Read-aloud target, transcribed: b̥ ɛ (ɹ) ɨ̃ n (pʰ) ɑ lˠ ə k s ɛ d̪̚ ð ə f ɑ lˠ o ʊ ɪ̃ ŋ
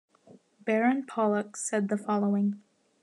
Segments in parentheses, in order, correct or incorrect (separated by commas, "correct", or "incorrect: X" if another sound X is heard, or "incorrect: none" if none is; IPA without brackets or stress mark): correct, correct